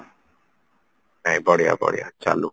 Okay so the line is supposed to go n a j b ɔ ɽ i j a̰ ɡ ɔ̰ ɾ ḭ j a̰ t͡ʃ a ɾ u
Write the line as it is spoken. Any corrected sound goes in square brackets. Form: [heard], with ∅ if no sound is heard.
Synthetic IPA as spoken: n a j b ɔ ɽ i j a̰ [b] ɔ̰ [ɽ] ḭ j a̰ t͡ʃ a [l] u